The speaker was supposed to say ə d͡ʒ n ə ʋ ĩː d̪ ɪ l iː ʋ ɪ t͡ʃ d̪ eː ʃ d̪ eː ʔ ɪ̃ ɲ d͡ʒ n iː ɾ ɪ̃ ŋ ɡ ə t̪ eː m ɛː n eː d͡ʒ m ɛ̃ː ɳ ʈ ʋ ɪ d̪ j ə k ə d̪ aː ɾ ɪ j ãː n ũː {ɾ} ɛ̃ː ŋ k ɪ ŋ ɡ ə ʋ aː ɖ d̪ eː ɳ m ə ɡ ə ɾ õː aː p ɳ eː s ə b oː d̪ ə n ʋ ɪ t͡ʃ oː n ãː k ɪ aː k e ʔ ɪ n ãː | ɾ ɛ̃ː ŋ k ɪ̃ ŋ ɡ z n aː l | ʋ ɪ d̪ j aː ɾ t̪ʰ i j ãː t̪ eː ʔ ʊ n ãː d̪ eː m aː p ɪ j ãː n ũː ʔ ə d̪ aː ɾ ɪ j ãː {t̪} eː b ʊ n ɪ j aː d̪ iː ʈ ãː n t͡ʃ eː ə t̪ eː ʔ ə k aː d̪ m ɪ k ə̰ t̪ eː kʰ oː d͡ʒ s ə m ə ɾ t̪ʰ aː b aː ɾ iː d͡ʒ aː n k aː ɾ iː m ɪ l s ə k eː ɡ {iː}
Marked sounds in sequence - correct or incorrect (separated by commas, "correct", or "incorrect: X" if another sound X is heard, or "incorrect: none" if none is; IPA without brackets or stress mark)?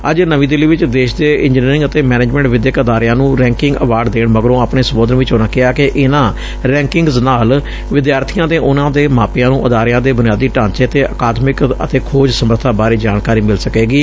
correct, incorrect: d̪, correct